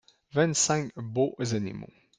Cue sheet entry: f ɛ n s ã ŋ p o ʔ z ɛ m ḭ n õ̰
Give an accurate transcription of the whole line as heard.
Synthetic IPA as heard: v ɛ n s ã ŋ b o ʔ z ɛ n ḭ m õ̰